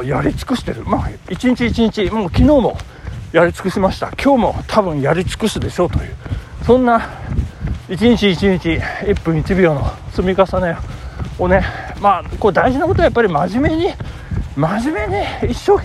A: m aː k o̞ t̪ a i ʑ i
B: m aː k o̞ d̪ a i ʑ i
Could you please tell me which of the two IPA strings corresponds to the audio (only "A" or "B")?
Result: B